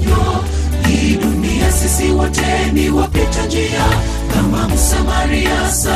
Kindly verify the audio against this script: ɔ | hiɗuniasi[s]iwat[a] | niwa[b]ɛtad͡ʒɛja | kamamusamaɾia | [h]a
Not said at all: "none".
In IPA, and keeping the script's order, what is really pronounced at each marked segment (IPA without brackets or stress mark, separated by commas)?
s, ɛ, p, s